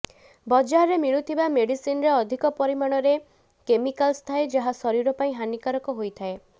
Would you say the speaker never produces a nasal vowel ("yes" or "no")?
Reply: no